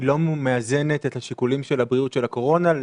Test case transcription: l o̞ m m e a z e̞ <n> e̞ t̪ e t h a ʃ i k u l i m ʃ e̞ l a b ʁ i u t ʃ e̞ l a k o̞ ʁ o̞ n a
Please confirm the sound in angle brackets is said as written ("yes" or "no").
yes